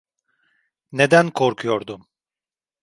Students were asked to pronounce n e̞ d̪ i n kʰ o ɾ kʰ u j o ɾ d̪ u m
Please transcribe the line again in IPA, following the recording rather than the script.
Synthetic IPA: n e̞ d̪ æ n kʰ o ɾ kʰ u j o ɾ d̪ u m